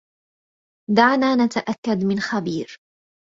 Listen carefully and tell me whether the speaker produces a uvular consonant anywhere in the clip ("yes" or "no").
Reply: no